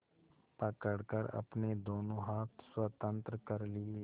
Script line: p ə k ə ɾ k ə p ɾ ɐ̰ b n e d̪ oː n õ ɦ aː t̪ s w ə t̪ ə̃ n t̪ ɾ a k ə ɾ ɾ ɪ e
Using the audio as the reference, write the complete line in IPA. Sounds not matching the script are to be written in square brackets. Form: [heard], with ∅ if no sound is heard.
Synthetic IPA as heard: p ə k ə [ɽ] k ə [∅] ɾ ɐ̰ [p] n e d̪ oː n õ ɦ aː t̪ s w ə t̪ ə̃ n t̪ ɾ [ə] k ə ɾ [l] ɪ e